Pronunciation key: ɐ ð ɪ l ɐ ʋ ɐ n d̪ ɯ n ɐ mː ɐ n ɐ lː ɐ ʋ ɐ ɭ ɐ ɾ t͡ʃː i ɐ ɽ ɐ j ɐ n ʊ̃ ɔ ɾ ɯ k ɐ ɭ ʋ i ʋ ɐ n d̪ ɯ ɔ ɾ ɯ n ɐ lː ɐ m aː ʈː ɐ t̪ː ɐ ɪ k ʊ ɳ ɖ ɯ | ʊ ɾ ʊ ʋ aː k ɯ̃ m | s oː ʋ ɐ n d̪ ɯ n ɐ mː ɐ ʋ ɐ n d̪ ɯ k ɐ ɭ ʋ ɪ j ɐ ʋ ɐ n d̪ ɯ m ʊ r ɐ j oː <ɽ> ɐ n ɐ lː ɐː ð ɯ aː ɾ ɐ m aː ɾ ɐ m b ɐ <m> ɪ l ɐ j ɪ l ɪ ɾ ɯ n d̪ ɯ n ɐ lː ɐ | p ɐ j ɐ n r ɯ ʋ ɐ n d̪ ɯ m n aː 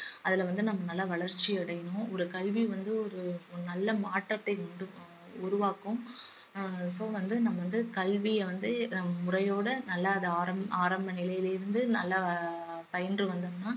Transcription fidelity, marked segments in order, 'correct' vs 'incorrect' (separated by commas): correct, incorrect